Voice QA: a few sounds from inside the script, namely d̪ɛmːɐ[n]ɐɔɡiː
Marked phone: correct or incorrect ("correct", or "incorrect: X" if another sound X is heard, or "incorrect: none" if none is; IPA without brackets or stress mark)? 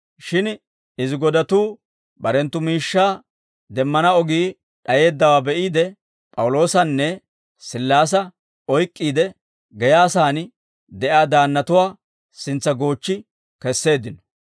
correct